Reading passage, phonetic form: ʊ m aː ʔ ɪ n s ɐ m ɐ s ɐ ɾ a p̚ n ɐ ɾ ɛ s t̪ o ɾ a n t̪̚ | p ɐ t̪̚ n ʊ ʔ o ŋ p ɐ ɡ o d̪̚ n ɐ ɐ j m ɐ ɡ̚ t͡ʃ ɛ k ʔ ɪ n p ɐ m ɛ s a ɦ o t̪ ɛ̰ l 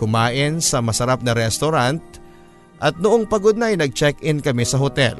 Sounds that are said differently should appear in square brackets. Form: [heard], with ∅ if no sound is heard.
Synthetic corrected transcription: ʊ m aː ʔ ɪ n s ɐ m ɐ s ɐ ɾ a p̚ n ɐ ɾ ɛ s t̪ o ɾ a n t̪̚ | [ʔ] ɐ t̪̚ n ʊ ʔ o ŋ p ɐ ɡ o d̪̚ n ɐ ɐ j [n] ɐ ɡ̚ t͡ʃ ɛ k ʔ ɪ n [k] ɐ m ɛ s [ɐ] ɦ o t̪ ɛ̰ l